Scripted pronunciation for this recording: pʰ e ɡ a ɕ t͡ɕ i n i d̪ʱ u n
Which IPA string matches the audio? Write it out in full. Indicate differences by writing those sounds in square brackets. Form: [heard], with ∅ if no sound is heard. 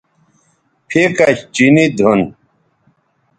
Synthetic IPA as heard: pʰ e [k] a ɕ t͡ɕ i n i d̪ʱ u n